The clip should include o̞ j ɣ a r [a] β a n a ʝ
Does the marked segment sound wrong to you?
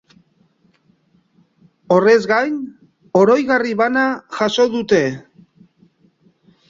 yes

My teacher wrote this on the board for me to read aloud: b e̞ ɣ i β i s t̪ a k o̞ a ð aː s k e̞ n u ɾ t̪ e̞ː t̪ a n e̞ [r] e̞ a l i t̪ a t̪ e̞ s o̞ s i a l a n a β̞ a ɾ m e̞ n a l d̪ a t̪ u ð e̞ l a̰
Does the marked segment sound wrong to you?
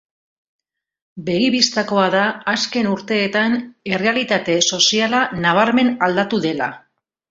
no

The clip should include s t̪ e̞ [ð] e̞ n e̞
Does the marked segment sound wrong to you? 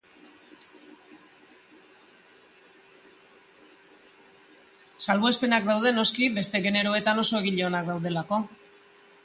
yes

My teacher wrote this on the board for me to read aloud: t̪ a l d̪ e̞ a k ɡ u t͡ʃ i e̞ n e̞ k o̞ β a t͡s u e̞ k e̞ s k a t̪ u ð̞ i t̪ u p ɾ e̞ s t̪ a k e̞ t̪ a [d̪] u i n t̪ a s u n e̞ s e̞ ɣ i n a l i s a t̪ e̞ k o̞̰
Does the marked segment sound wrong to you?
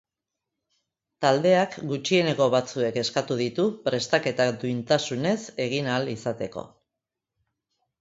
no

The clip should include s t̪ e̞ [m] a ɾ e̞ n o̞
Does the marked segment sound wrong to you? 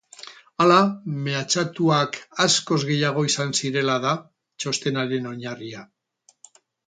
yes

